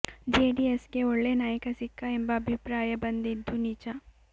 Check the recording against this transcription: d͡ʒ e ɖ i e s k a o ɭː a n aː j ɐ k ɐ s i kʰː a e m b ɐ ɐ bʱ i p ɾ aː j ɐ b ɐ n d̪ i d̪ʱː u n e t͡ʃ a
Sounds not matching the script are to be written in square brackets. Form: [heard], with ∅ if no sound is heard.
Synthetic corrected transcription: d͡ʒ e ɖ i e s k [e] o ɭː [e] n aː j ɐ k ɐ s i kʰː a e m b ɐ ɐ bʱ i p ɾ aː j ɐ b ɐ n d̪ i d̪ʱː u n [i] t͡ʃ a